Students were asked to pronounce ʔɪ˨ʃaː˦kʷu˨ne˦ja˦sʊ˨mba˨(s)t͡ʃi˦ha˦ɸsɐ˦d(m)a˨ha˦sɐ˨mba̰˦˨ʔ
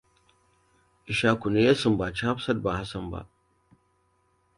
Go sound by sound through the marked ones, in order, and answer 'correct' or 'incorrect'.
incorrect, incorrect

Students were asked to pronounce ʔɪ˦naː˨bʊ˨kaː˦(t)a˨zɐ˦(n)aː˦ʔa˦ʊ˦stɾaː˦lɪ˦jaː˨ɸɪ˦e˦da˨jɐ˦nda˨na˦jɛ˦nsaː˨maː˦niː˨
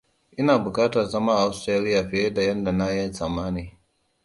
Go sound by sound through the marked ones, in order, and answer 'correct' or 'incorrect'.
correct, incorrect

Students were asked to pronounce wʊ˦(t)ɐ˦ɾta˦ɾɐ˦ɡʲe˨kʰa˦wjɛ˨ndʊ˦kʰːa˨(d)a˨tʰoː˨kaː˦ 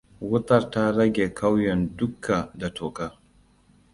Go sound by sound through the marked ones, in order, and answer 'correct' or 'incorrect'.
correct, correct

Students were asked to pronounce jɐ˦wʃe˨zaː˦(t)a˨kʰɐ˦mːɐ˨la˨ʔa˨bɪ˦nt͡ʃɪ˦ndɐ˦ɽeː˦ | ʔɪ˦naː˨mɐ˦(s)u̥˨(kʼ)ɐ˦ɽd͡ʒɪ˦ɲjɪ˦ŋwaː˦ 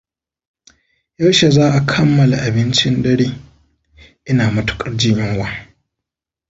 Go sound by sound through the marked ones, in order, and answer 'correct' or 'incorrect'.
incorrect, incorrect, correct

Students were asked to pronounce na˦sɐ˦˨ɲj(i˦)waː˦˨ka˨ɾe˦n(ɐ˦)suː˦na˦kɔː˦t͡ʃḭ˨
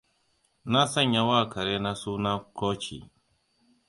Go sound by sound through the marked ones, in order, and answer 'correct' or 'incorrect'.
incorrect, incorrect

